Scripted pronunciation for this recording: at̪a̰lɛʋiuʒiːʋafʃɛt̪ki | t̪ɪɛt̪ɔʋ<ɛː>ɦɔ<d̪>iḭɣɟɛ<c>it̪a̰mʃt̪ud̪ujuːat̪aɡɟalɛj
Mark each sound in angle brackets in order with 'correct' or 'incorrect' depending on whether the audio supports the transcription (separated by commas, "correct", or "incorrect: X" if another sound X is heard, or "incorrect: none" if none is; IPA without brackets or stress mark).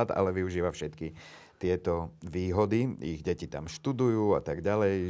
incorrect: iː, correct, correct